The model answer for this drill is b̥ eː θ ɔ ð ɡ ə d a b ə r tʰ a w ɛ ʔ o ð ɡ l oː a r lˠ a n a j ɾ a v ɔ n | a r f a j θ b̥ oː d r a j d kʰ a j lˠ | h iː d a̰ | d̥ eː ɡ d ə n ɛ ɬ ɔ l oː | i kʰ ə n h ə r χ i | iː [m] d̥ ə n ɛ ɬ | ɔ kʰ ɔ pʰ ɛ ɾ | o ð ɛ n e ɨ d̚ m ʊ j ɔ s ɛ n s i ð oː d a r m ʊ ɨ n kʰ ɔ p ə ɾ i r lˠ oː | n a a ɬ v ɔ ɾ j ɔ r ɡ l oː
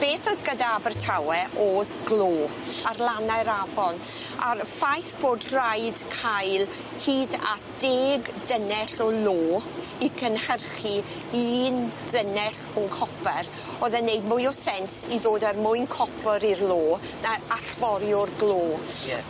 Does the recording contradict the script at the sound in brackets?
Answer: yes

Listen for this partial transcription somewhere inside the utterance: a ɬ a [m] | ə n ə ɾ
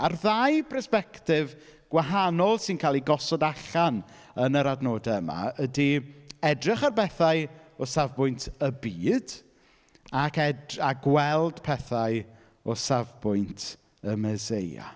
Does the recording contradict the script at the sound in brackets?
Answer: yes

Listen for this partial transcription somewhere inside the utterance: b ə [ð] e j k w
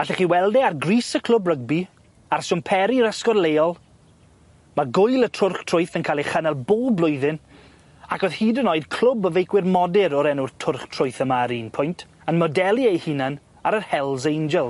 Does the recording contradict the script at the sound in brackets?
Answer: yes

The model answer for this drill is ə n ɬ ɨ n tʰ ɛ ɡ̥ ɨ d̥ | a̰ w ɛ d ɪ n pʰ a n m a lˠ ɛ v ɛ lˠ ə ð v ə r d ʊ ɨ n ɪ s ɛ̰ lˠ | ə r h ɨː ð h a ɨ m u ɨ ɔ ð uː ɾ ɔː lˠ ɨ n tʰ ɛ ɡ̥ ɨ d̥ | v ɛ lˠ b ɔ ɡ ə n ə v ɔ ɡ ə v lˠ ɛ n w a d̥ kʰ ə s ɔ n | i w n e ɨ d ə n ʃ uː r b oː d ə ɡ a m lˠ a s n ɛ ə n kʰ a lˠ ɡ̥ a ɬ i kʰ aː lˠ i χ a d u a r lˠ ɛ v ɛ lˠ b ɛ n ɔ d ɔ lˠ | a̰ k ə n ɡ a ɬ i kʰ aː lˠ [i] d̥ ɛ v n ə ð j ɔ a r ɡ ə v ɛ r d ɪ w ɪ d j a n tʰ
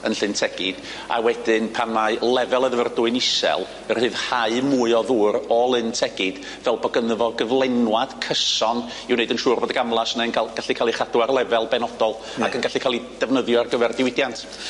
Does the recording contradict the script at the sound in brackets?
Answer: no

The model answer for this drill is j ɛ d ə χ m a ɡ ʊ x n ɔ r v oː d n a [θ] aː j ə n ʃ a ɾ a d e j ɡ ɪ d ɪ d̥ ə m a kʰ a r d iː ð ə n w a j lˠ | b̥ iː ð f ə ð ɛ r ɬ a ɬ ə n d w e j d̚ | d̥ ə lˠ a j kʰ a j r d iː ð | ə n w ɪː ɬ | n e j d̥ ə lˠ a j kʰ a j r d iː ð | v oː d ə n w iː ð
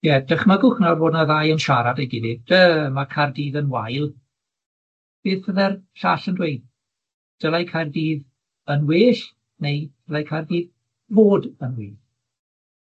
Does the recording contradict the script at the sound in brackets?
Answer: yes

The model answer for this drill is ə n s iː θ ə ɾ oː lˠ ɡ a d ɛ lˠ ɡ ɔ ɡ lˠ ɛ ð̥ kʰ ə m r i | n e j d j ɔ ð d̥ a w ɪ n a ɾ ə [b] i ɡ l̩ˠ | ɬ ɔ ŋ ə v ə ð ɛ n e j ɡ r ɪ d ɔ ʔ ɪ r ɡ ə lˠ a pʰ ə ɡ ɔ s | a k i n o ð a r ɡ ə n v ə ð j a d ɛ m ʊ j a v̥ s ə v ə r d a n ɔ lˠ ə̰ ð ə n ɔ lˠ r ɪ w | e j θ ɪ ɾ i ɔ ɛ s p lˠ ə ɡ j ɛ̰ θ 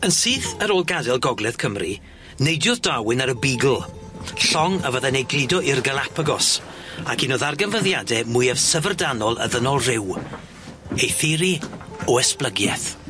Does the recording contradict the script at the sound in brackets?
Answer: no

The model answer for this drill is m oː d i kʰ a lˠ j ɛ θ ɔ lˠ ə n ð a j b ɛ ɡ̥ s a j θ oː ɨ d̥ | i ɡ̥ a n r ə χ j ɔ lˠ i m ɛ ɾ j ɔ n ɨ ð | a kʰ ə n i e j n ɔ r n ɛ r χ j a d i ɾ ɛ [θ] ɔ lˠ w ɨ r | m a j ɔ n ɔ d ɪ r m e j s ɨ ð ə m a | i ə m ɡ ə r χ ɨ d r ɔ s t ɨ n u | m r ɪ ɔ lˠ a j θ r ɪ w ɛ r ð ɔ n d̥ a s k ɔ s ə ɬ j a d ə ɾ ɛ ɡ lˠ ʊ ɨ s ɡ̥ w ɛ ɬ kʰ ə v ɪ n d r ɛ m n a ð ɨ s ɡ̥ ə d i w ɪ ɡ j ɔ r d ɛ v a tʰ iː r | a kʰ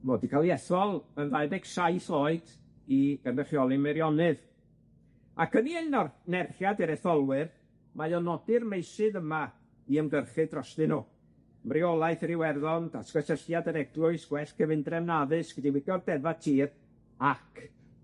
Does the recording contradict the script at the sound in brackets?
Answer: no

